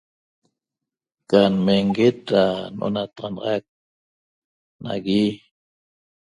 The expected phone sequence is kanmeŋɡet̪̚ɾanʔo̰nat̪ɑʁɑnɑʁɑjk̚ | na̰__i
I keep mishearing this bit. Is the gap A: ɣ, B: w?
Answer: A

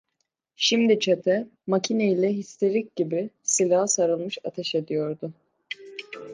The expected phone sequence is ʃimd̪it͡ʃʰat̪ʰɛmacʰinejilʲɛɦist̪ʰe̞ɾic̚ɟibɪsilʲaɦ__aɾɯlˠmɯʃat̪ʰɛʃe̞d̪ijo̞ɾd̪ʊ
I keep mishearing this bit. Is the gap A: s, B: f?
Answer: A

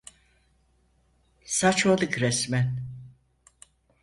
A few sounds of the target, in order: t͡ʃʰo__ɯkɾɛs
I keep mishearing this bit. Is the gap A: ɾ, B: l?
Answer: B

